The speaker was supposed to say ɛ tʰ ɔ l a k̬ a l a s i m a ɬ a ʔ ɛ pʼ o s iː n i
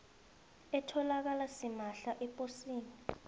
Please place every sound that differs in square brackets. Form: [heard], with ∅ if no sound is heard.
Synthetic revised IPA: ɛ tʰ ɔ l a k̬ a l a s i m a ɬ a ʔ ɛ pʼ o s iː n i